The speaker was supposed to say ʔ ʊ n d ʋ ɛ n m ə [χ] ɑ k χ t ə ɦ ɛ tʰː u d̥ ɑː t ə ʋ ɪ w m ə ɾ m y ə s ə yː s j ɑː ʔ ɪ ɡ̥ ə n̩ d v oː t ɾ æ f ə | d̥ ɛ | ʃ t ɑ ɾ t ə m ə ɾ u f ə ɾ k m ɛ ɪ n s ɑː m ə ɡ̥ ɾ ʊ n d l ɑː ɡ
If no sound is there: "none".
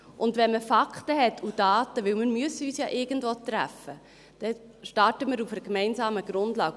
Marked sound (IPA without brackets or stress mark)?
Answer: f